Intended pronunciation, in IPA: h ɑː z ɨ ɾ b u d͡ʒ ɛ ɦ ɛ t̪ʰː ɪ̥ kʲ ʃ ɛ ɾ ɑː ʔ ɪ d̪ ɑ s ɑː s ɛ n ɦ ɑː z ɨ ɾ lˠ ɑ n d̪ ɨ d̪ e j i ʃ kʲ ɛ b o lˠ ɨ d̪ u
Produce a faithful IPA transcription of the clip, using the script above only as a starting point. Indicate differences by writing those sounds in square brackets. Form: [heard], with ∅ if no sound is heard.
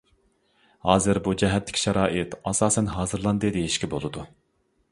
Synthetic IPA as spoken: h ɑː z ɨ ɾ b u d͡ʒ ɛ ɦ ɛ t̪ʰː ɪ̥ kʲ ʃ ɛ ɾ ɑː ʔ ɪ [t̪] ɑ s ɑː s ɛ n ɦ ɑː z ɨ ɾ lˠ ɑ n d̪ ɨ d̪ e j i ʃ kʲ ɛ b o lˠ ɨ d̪ u